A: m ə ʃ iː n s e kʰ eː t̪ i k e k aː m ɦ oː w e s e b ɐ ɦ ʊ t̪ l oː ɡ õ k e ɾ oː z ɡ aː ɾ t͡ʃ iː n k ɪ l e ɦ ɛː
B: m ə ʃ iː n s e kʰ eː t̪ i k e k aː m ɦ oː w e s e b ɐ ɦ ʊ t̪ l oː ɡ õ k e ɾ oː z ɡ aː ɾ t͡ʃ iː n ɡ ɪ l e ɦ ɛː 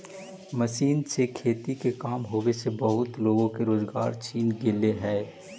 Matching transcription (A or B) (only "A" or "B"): B